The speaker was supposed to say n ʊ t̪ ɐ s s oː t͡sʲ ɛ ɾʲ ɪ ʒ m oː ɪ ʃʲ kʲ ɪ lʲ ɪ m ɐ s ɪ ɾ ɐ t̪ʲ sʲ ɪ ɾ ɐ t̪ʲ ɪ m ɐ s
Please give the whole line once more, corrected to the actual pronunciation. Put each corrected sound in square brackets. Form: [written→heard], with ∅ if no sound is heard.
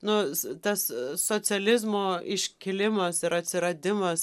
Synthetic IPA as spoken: n ʊ t̪ ɐ s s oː t͡sʲ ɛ [ɾʲ→lʲ] ɪ [ʒ→z] m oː ɪ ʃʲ kʲ ɪ lʲ ɪ m ɐ s ɪ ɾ ɐ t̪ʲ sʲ ɪ ɾ ɐ [t̪ʲ→d̪ʲ] ɪ m ɐ s